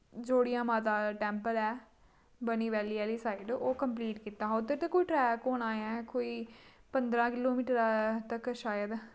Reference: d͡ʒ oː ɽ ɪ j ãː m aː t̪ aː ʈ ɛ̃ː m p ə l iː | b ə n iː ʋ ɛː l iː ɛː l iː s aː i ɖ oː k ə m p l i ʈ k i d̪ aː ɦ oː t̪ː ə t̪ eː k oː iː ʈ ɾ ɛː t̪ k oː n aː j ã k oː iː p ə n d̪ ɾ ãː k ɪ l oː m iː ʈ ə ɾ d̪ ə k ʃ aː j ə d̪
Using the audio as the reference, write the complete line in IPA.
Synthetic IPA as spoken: d͡ʒ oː ɽ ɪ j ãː m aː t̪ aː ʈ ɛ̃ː m p ə l ɛː | b ə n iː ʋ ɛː l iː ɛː l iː s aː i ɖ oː k ə m p l iː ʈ k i t̪ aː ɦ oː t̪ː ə t̪ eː k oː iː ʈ ɾ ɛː k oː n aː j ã k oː iː p ə n d̪ ɾ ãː k ɪ l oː m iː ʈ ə ɾ t̪ ə k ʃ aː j ə d̪